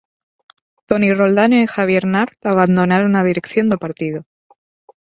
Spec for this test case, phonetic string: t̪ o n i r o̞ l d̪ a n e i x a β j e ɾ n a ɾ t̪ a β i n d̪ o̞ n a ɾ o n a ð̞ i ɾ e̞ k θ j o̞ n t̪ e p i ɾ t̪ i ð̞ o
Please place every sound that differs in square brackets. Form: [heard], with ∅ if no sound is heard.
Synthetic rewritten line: t̪ o n i r o̞ l d̪ a n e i x a β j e ɾ n a ɾ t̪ a β [a] n d̪ o̞ n a ɾ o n a ð̞ i ɾ e̞ k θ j o̞ n [d̪] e p [a] ɾ t̪ i ð̞ o